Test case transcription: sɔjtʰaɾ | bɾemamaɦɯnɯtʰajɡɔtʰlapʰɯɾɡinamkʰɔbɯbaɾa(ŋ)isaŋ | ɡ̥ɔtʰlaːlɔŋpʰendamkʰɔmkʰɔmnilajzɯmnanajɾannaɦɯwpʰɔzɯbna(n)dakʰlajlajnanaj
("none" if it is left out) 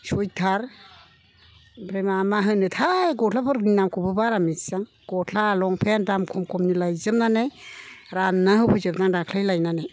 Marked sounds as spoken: m, ŋ

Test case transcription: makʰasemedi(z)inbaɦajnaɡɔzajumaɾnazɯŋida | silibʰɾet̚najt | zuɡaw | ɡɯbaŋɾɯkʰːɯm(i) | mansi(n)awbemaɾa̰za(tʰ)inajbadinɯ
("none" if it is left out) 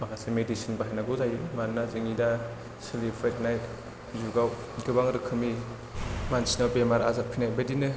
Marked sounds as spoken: s, i, n, pʰ

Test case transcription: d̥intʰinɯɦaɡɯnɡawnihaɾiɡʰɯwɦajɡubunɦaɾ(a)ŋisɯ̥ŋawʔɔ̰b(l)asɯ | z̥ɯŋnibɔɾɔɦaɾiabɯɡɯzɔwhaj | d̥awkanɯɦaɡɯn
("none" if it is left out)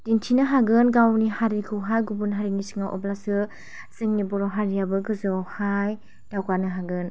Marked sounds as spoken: i, l

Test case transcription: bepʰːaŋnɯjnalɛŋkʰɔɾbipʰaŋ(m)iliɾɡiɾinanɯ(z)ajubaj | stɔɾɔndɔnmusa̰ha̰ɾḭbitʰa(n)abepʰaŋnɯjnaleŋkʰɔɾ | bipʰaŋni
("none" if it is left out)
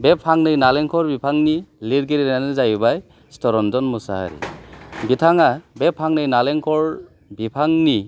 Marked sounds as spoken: n, z, ŋ

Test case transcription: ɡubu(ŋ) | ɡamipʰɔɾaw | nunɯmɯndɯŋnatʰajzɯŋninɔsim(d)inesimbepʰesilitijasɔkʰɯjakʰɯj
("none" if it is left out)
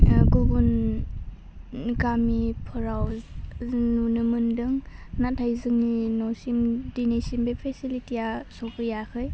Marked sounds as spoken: n, d

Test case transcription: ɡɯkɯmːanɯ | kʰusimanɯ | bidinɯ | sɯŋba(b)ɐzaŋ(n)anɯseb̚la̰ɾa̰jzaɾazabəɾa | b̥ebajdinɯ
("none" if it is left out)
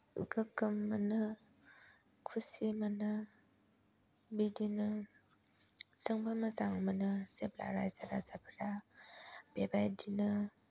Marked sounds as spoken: m, m

